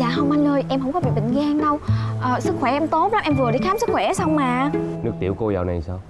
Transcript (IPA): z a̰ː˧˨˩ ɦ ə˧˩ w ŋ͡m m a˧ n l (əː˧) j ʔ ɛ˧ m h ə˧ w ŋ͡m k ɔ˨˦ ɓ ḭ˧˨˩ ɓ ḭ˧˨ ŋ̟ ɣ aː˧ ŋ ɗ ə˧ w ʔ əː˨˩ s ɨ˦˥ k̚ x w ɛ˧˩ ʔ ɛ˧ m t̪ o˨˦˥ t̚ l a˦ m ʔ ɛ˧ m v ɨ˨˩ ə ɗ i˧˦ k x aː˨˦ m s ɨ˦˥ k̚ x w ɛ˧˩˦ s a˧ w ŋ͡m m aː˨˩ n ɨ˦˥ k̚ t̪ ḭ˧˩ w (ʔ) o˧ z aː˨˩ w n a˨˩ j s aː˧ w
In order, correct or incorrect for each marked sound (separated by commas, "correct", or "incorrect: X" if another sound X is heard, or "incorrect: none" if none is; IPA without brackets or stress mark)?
correct, incorrect: k